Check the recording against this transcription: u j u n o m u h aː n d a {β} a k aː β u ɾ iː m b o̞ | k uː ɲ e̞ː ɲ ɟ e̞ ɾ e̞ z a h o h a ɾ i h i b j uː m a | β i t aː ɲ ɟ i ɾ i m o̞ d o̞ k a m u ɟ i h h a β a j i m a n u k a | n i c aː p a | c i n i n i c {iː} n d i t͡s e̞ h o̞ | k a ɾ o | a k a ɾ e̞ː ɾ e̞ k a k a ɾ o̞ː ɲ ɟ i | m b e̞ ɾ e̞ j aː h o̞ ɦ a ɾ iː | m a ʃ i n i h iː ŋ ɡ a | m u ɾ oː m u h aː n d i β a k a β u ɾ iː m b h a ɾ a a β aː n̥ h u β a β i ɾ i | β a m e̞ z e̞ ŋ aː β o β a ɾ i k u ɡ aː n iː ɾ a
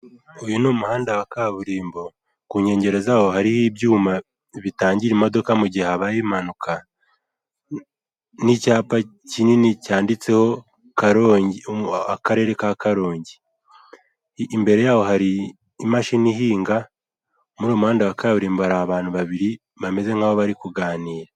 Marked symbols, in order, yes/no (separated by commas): no, no